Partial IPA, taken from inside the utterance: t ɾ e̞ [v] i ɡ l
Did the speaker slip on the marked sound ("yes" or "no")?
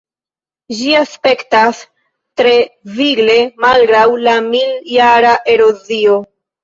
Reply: no